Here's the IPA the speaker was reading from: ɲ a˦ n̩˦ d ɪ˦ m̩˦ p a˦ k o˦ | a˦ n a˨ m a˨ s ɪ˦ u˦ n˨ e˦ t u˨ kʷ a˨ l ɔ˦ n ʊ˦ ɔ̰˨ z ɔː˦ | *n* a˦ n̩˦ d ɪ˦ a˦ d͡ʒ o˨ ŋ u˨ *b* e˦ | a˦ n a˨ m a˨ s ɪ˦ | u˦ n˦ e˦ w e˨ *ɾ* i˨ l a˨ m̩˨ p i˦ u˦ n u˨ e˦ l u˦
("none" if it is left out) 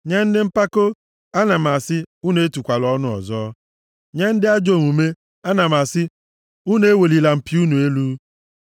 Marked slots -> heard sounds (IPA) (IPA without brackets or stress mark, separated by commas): ɲ, m, l